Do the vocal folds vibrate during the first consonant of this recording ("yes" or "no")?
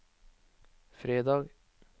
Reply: no